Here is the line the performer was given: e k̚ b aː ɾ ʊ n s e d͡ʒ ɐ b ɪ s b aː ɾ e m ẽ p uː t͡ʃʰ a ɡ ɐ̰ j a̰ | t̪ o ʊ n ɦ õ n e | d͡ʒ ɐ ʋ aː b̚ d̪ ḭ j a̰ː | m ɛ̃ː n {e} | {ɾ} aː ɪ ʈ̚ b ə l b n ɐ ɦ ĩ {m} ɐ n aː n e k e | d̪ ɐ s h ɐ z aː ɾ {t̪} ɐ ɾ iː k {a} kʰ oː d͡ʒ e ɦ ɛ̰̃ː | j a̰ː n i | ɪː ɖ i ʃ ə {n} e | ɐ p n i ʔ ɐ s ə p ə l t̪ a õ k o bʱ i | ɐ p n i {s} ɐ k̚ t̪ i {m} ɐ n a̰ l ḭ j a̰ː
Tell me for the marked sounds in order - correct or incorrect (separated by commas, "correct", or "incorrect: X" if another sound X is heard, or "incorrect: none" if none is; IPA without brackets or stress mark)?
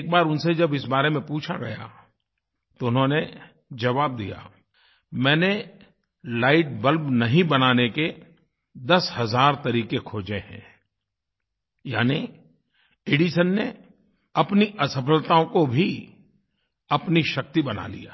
correct, incorrect: l, incorrect: b, correct, incorrect: e, incorrect: nː, incorrect: ʃ, incorrect: b